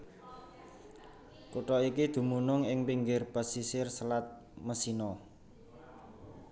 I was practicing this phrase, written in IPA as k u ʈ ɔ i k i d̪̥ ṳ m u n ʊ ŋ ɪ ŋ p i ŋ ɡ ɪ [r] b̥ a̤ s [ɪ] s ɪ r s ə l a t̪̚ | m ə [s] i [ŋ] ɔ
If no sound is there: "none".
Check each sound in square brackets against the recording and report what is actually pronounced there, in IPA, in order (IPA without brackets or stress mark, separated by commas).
r, i, s, n